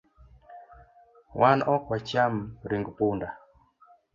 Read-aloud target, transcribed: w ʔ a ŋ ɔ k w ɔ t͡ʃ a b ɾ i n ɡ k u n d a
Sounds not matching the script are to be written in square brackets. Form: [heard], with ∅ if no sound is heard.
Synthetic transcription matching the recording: w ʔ a [n] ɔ k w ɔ t͡ʃ a [m] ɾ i [ŋ] ɡ [p] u n d a